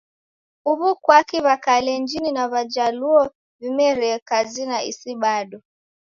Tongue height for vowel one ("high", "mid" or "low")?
high